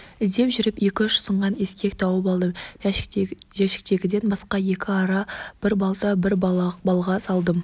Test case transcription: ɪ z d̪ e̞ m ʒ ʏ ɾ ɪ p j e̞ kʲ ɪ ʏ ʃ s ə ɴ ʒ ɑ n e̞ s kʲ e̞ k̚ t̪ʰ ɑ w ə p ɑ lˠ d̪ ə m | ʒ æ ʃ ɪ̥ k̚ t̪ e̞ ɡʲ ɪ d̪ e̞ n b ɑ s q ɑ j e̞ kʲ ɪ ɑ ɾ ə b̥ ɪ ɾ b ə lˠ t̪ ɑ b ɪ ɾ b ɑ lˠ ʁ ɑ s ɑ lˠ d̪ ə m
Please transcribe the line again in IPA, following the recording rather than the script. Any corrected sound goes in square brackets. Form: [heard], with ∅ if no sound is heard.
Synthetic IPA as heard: ɪ z d̪ e̞ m ʒ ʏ ɾ ɪ p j e̞ kʲ ɪ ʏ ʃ s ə ɴ [ʁ] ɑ n e̞ s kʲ e̞ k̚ t̪ʰ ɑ w ə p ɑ lˠ d̪ ə m | ʒ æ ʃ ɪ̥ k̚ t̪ e̞ ɡʲ ɪ d̪ e̞ n b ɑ s q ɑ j e̞ kʲ ɪ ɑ ɾ [ɑ] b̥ ɪ ɾ b [ɑ] lˠ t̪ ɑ b ɪ ɾ b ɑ lˠ ʁ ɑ s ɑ lˠ d̪ ə m

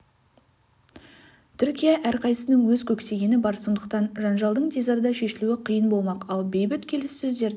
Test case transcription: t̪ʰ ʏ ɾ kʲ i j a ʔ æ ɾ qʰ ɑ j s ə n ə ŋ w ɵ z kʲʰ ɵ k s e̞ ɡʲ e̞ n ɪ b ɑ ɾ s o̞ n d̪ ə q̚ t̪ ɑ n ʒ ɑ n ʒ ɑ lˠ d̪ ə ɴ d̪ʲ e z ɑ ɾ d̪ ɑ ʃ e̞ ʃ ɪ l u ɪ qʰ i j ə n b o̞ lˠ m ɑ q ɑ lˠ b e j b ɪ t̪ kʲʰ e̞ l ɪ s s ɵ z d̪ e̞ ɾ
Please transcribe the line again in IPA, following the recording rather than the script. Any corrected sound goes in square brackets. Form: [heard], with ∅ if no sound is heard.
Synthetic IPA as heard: t̪ʰ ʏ ɾ kʲ i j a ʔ æ ɾ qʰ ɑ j s ə n ə ŋ w ɵ z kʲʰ ɵ k s e̞ ɡʲ e̞ n ɪ b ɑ ɾ s o̞ n d̪ ə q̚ t̪ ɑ n ʒ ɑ n ʒ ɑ lˠ d̪ ə ɴ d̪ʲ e z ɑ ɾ d̪ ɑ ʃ e̞ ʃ ɪ l u ɪ qʰ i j ə n b o̞ lˠ m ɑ q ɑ lˠ b e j b ɪ t̪ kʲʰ e̞ l ɪ s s ɵ z d̪ e̞ ɾ

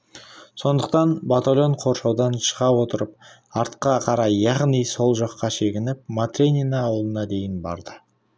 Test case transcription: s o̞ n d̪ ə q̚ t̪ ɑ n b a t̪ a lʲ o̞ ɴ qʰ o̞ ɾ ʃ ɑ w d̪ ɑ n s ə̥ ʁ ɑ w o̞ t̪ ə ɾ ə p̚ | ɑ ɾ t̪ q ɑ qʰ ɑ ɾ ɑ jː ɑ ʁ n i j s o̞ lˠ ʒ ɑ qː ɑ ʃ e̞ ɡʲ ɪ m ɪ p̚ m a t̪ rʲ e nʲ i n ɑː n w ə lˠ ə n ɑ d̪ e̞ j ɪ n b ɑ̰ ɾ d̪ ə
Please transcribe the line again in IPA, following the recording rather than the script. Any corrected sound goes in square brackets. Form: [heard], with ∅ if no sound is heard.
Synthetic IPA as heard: s o̞ n d̪ ə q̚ t̪ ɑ n b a t̪ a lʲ o̞ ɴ qʰ o̞ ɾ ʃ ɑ w d̪ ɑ n [ʃ] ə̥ ʁ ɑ w o̞ t̪ ə ɾ ə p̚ | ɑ ɾ t̪ q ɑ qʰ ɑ ɾ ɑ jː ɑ ʁ n i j s o̞ lˠ ʒ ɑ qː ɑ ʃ e̞ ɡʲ ɪ [n] ɪ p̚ m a t̪ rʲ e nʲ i n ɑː [∅] w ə lˠ ə n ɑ d̪ e̞ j ɪ n b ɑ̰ ɾ d̪ ə

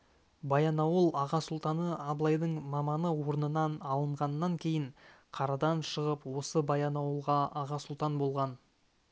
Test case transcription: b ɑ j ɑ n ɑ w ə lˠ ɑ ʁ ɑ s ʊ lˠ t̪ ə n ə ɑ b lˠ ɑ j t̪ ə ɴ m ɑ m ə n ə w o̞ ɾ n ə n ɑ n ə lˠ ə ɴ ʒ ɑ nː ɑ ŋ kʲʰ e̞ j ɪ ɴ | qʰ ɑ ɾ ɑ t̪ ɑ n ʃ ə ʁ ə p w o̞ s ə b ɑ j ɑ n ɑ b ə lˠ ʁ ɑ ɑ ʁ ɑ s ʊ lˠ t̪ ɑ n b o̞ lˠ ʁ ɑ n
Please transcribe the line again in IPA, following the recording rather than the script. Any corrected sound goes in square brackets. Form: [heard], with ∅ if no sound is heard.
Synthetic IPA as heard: b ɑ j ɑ n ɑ w ə lˠ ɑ ʁ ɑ s ʊ lˠ t̪ [ɑ] n ə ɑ b lˠ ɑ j [d̪] ə ɴ m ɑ m [ɑ] n ə w o̞ ɾ n ə n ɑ n [ɑ] lˠ ə ɴ [ʁ] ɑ nː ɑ ŋ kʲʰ e̞ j ɪ ɴ | qʰ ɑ ɾ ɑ [d̪] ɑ n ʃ ə ʁ ə p w o̞ s ə b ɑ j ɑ n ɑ [w] ə lˠ ʁ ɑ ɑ ʁ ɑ s ʊ lˠ t̪ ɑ n b o̞ lˠ ʁ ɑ n

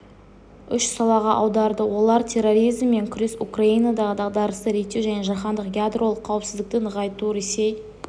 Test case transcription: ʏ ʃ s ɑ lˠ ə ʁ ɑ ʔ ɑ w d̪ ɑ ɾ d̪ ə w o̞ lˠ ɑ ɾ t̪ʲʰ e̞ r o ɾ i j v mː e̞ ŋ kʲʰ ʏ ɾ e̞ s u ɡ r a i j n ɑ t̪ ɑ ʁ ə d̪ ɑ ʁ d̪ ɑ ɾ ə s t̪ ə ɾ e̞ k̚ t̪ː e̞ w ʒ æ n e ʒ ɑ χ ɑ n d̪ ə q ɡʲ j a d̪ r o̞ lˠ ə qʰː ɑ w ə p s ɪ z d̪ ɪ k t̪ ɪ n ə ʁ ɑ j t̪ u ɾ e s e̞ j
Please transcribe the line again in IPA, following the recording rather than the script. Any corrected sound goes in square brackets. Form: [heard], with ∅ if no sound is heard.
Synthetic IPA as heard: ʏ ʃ s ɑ lˠ [ɑ] ʁ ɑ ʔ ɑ w d̪ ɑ ɾ d̪ ə w o̞ lˠ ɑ ɾ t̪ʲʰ e̞ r o ɾ i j [z] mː e̞ ŋ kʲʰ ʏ ɾ e̞ s u [k] r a i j n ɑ [d̪] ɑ ʁ ə d̪ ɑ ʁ d̪ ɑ ɾ ə s t̪ ə ɾ e̞ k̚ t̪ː e̞ w ʒ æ n e ʒ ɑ χ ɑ n d̪ ə q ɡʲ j a d̪ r o̞ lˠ ə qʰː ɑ w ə p s ɪ z d̪ ɪ k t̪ ɪ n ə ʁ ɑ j t̪ u ɾ e s e̞ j

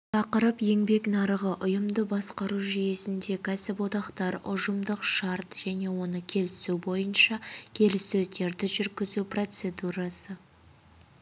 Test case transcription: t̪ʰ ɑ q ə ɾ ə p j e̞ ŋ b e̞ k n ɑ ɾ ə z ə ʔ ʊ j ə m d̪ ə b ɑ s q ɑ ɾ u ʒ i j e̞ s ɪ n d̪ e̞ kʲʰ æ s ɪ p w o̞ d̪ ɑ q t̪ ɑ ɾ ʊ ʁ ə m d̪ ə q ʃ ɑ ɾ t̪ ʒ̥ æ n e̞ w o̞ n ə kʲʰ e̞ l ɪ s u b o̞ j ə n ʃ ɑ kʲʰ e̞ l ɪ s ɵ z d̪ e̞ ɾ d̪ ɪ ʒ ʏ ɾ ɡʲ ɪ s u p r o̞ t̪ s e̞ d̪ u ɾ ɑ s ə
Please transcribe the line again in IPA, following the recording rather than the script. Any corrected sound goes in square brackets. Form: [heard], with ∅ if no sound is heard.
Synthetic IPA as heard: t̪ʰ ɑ q ə ɾ ə p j e̞ ŋ b e̞ k n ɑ ɾ ə [ʁ] ə ʔ ʊ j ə m d̪ ə b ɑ s q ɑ ɾ u ʒ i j e̞ s ɪ n d̪ e̞ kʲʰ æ s ɪ p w o̞ d̪ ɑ q t̪ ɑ ɾ ʊ [ʒ] ə m d̪ ə q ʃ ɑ ɾ t̪ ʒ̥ æ n e̞ w o̞ n ə kʲʰ e̞ l ɪ s u b o̞ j ə n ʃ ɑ kʲʰ e̞ l ɪ s ɵ z d̪ e̞ ɾ d̪ ɪ ʒ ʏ ɾ ɡʲ ɪ [z] u p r o̞ t̪ s e̞ d̪ u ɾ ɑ s ə

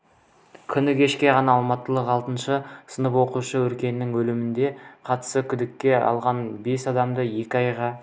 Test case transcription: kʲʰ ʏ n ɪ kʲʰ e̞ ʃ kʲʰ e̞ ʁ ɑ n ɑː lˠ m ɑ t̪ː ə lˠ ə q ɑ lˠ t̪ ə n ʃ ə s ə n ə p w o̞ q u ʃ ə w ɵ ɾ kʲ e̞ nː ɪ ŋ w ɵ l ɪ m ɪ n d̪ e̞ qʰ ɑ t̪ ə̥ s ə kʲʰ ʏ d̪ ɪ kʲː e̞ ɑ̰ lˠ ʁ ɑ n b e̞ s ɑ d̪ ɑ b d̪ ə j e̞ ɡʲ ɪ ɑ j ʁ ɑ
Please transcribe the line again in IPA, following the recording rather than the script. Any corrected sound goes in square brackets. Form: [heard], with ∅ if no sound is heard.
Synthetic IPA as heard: kʲʰ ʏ n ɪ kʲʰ e̞ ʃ [kʲ] e̞ ʁ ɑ n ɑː lˠ m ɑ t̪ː ə lˠ ə q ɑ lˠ t̪ ə n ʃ ə s ə n ə p w o̞ q u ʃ ə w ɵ ɾ kʲ e̞ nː ɪ ŋ w ɵ l ɪ m ɪ n d̪ e̞ qʰ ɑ t̪ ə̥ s ə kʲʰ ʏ d̪ ɪ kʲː e̞ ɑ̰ lˠ ʁ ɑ n b e̞ s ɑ d̪ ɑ [m] d̪ ə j e̞ [kʲ] ɪ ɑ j ʁ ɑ

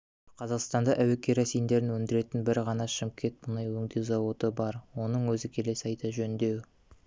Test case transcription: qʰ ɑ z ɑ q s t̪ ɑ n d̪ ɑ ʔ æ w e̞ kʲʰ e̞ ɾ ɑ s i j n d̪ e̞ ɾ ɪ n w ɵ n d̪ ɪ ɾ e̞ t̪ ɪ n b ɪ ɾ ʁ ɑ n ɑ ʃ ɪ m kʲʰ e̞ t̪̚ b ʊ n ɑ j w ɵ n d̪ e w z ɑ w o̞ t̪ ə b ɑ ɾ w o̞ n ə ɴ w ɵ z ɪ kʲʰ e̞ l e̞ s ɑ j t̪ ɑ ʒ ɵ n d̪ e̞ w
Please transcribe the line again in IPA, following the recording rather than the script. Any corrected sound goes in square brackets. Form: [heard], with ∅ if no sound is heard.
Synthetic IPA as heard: qʰ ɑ z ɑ q s t̪ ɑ n d̪ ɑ ʔ æ w e̞ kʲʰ e̞ ɾ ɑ s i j n d̪ e̞ ɾ ɪ n w ɵ n d̪ ɪ ɾ e̞ t̪ ɪ n b ɪ ɾ ʁ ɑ n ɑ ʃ ɪ m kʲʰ e̞ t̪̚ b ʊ n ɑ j w ɵ [ŋ] d̪ e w z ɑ w o̞ t̪ ə b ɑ ɾ w o̞ n ə ɴ w ɵ z ɪ kʲʰ e̞ l e̞ s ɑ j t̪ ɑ ʒ ɵ n d̪ e̞ w

